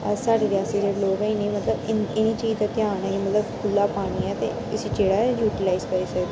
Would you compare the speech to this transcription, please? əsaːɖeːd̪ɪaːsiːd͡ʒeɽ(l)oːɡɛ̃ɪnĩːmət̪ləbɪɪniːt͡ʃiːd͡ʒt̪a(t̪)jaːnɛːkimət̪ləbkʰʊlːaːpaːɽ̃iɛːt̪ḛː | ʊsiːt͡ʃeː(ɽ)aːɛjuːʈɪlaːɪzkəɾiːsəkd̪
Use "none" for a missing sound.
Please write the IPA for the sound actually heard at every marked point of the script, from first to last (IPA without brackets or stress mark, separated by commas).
l, t̪, ɽ